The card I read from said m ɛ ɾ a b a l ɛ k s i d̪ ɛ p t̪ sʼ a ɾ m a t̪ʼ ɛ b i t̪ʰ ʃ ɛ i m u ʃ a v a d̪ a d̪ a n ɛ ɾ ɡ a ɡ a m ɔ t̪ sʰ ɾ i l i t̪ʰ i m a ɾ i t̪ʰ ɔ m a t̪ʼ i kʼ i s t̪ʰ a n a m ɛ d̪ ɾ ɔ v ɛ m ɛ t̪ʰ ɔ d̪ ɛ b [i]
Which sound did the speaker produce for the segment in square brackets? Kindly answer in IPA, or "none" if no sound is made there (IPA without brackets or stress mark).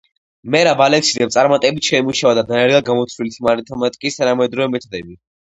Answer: i